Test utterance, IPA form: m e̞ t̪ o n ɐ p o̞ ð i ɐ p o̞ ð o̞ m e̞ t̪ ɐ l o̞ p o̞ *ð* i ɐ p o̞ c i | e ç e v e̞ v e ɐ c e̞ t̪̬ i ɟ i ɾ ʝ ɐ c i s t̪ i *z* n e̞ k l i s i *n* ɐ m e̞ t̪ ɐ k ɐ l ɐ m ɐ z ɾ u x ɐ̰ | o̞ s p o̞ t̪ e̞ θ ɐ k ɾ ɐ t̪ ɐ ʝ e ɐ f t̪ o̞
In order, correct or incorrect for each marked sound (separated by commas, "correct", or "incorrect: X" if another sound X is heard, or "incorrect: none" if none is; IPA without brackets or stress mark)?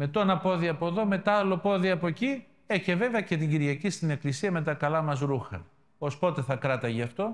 correct, incorrect: none, incorrect: none